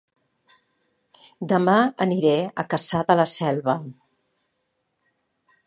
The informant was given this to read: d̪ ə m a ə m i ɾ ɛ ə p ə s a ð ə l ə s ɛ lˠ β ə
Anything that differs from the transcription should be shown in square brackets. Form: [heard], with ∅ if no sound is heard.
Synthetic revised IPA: d̪ ə m a ə [n] i ɾ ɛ ə [k] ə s a ð ə l ə s ɛ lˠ β ə